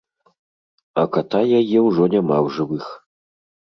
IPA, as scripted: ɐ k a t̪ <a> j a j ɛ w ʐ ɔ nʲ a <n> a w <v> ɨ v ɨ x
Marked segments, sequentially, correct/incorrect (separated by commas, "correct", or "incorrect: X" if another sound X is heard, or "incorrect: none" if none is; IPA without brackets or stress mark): correct, incorrect: m, incorrect: ʐ